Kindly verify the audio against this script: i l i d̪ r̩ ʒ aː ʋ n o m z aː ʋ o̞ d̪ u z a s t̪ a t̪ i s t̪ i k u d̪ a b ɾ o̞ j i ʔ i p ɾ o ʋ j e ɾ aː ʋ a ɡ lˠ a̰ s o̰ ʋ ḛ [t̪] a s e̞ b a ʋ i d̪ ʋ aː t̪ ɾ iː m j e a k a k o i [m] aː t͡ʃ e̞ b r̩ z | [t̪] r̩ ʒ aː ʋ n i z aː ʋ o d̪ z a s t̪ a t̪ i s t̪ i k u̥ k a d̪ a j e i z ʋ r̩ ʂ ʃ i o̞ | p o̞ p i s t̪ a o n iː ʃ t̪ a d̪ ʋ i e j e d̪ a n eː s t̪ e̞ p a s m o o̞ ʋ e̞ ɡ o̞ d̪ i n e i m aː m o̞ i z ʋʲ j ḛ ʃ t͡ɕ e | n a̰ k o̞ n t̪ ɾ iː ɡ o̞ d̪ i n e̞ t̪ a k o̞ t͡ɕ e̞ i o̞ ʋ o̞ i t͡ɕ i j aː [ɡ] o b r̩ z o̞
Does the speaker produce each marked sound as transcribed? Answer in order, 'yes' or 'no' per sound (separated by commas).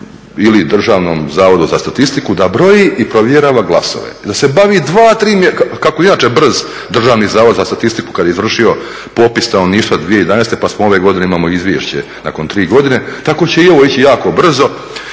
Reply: no, no, no, no